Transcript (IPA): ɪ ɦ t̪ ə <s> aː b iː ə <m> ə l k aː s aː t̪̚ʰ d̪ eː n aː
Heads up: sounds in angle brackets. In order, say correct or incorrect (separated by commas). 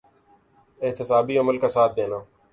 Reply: correct, correct